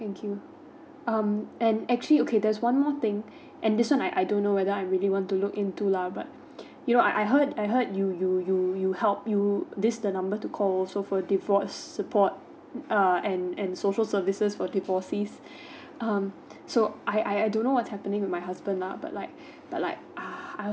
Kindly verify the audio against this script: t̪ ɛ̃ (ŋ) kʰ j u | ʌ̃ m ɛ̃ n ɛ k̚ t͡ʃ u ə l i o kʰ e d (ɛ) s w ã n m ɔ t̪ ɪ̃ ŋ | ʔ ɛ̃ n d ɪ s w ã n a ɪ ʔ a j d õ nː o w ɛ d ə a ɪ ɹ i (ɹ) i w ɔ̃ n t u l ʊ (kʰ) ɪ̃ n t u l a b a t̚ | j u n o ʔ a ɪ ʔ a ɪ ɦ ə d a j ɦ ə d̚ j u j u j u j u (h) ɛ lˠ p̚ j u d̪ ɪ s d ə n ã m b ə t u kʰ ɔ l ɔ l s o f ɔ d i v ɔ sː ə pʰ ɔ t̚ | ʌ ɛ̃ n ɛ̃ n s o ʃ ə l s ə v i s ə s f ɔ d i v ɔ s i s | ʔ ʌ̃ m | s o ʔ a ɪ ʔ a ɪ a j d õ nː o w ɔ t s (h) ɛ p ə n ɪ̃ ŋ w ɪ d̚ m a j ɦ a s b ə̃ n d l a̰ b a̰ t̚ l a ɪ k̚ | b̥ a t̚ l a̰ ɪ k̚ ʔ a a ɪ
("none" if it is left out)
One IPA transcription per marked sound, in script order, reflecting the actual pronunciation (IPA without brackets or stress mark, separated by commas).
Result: ŋ, ɛ, l, k, h, h